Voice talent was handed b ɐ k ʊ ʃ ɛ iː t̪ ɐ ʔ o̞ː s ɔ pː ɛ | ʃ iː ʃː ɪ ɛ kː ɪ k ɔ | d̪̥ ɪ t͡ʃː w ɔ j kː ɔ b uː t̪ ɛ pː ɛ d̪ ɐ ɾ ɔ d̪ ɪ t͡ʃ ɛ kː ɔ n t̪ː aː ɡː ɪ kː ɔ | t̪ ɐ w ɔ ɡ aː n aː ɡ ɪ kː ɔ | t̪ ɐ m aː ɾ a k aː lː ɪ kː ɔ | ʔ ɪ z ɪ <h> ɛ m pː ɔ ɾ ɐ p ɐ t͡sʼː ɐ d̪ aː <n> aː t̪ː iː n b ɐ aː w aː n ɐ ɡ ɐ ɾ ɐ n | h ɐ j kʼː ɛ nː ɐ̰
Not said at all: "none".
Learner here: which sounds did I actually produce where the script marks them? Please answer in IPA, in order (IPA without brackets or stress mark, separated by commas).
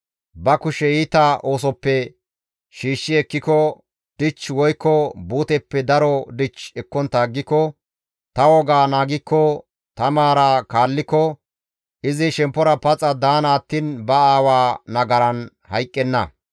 ʃ, n